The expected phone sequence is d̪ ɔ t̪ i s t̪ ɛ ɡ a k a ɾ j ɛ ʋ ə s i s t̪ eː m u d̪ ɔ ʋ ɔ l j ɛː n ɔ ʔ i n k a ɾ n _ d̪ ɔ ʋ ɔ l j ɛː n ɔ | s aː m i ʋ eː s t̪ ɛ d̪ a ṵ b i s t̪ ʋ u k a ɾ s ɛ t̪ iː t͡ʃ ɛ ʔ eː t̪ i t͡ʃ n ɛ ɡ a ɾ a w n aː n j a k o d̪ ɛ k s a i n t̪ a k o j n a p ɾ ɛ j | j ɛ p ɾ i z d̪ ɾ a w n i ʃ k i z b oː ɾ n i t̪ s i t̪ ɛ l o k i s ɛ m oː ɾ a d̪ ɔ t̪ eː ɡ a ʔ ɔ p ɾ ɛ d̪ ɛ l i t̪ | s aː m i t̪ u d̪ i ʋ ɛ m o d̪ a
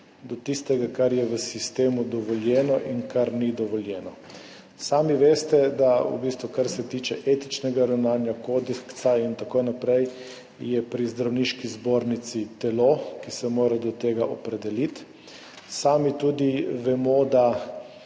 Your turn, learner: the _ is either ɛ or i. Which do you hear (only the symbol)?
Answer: i